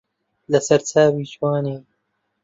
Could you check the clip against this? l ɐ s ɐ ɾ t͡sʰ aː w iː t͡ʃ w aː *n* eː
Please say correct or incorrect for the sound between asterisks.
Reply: correct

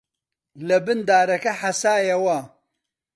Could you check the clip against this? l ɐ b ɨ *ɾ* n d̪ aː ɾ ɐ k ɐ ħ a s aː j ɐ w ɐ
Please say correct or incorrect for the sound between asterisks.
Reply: incorrect: none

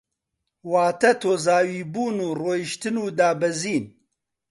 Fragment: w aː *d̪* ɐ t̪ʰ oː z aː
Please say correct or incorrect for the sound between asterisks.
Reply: incorrect: t̪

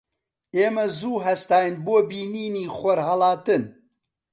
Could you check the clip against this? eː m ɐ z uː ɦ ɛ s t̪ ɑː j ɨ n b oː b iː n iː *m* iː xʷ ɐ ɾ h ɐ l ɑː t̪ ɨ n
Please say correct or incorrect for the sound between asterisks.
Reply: incorrect: n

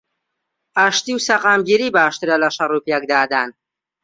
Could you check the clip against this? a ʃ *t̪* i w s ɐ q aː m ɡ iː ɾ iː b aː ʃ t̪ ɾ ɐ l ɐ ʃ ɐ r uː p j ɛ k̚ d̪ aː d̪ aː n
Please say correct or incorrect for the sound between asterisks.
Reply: correct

